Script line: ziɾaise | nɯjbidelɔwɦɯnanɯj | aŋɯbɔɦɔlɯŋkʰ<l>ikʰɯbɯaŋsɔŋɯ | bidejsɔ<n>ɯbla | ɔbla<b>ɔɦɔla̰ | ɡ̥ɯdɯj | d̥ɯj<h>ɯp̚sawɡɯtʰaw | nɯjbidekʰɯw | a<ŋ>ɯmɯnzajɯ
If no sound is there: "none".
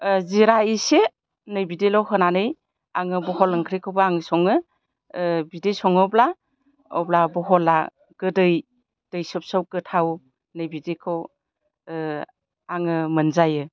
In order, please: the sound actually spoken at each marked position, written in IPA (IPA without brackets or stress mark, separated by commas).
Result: ɾ, ŋ, b, s, ŋ